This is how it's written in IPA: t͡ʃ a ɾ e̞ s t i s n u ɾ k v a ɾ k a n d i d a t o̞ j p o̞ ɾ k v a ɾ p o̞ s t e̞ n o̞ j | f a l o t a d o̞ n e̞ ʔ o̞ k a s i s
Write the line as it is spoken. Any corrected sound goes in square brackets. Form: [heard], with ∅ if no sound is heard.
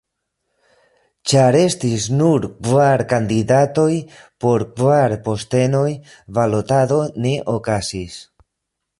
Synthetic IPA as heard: t͡ʃ a ɾ e̞ s t i s n u ɾ k v a ɾ k a n d i d a t o̞ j p o̞ ɾ k v a ɾ p o̞ s t e̞ n o̞ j | [v] a l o t a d o̞ n e̞ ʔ o̞ k a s i s